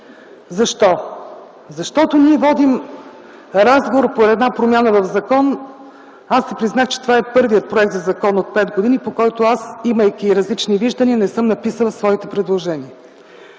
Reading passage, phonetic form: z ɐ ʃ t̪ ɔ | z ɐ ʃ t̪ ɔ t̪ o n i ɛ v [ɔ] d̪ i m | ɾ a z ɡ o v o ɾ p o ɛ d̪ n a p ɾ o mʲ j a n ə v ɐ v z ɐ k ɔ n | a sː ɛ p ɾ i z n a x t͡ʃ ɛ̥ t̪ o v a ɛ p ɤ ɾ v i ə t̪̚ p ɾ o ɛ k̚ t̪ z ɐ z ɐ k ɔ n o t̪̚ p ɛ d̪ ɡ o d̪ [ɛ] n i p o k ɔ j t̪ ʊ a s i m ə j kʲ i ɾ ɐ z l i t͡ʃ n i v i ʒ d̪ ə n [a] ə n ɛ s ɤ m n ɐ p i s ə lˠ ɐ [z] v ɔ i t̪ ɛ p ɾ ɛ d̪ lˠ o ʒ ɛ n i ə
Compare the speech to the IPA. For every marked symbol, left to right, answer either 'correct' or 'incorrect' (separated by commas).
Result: correct, incorrect, incorrect, incorrect